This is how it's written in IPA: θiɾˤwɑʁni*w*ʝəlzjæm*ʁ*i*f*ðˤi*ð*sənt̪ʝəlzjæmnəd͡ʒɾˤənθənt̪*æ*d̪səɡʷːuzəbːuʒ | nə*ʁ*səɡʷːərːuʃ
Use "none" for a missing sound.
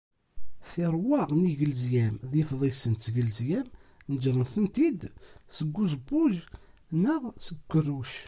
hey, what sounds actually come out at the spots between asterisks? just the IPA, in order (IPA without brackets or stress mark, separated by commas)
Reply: none, ð, f, none, i, ʁ